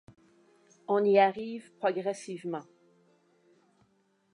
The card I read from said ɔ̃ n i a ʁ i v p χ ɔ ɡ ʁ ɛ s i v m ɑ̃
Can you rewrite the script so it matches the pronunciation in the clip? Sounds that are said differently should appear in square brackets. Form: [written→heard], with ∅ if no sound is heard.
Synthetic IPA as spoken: ɔ̃ n i a ʁ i v p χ ɔ ɡ ʁ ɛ s i v m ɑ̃